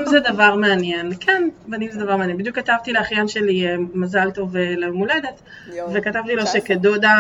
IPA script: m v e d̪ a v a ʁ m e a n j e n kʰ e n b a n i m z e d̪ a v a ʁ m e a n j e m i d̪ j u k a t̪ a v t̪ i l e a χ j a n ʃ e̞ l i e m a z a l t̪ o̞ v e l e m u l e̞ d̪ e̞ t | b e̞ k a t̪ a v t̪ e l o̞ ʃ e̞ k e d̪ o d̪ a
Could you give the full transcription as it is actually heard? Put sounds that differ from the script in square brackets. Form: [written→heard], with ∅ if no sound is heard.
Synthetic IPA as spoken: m [v→z] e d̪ a v a ʁ m e a n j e n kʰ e n b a n i m z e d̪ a v a ʁ m e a n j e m i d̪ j u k a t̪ a v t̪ i l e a χ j a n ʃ e̞ l i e m a z a l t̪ o̞ v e l e m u l e̞ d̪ e̞ t | [b→v] e̞ k a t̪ a v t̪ [e→i] l o̞ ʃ e̞ k e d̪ o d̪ a